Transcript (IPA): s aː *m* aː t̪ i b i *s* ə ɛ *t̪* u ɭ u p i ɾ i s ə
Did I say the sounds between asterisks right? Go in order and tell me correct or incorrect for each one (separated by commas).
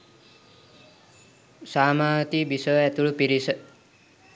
correct, correct, correct